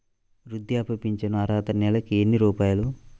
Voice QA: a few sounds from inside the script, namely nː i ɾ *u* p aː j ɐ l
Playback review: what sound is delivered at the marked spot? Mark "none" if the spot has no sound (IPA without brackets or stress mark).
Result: uː